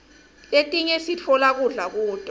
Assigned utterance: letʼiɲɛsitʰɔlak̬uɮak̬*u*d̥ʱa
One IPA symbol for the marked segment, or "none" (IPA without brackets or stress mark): uː